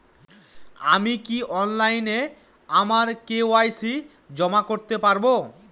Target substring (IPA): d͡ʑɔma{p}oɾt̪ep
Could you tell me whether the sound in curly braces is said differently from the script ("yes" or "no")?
yes